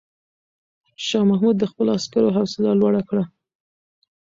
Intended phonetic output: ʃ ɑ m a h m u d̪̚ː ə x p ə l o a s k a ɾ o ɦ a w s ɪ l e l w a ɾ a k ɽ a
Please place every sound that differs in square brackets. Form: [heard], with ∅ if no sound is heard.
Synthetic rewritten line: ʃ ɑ m a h m u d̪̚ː ə x p ə l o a s k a ɾ o ɦ a w s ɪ l [a] l w a [ɽ] a k ɽ a